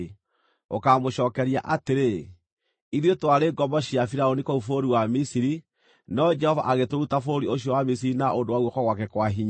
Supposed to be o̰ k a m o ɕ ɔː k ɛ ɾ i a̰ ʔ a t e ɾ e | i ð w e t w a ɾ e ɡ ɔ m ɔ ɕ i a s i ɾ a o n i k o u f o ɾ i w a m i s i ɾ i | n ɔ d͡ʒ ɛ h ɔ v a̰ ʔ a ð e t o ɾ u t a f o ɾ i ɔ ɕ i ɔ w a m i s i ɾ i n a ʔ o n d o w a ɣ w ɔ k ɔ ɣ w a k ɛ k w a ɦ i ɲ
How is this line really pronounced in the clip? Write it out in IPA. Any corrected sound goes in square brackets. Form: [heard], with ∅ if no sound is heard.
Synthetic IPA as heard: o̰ k a m o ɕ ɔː k ɛ ɾ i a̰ ʔ a t e ɾ e | i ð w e t w a ɾ e ɡ ɔ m ɔ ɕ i a [f] i ɾ a o n i k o u f o ɾ i w a m i s i ɾ i | n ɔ d͡ʒ ɛ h ɔ v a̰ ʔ a [ɣ] e t o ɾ u t a f o ɾ i [o] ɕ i ɔ w a m i s i ɾ i n a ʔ o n d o w a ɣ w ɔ k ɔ ɣ w a k ɛ k w a ɦ i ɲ

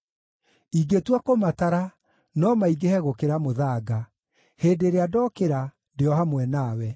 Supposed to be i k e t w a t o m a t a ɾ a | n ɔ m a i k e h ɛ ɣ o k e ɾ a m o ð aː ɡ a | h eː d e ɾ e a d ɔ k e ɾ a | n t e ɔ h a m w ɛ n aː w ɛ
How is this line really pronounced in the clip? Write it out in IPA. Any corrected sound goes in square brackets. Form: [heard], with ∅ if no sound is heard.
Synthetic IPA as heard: i [ɡ] e t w a [k] o m a t a ɾ a | n ɔ m a i [ɡ] e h ɛ ɣ o k e ɾ a m o ð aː ɡ a | h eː d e ɾ e a d ɔ k e ɾ a | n [d] e ɔ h a m w ɛ n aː w ɛ

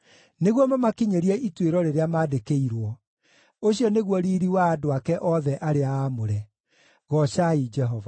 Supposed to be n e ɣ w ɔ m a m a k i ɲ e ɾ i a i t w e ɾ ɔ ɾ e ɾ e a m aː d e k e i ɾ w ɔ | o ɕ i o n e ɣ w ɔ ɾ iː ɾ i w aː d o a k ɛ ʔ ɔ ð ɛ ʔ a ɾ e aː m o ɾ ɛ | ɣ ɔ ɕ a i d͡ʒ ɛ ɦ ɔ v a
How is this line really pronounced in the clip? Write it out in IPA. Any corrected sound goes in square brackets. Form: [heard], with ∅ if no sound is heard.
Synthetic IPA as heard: n e ɣ w ɔ m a m a k i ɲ e ɾ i [ɛ] i t w e ɾ ɔ ɾ e ɾ e a m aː d e k e i ɾ w ɔ | o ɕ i [ɔ] n e ɣ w ɔ ɾ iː ɾ i w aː d o a k ɛ ʔ ɔ ð ɛ ʔ a ɾ e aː m o ɾ ɛ | ɣ ɔ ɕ a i d͡ʒ ɛ ɦ ɔ v a

